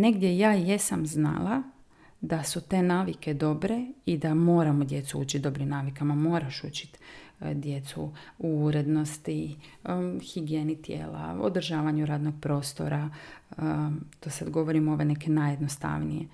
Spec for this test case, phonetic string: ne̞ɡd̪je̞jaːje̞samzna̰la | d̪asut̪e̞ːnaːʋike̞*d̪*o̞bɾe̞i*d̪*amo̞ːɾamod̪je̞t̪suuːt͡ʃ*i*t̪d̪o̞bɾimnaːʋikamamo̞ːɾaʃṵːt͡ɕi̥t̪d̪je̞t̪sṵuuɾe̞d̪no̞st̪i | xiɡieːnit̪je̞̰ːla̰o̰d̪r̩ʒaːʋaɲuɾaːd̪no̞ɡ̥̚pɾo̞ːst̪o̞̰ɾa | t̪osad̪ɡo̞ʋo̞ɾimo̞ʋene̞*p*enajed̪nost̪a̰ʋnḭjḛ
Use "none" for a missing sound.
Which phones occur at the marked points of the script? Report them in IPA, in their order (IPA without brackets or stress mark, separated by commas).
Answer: d̪, d̪, i, k